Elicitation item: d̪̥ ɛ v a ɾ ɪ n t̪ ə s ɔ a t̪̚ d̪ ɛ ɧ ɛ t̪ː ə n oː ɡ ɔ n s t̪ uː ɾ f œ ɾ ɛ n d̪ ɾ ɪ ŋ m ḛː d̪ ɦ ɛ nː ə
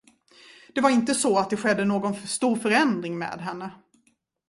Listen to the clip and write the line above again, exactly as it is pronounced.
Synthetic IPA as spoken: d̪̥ ɛ v a ɾ ɪ n t̪ ə s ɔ a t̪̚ d̪ ɛ ɧ ɛ d̪ː ə n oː ɡ ɔ n s t̪ uː ɾ f œ ɾ ɛ n d̪ ɾ ɪ ŋ m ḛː d̪ ɦ ɛ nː ə